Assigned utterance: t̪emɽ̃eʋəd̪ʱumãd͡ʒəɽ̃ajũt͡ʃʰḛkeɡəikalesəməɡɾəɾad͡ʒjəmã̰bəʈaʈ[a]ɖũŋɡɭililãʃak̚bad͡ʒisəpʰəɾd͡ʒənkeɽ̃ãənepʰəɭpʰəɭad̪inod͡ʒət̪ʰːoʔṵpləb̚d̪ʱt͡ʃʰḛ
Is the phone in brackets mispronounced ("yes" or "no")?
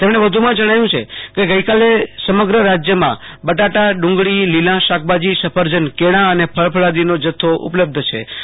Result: no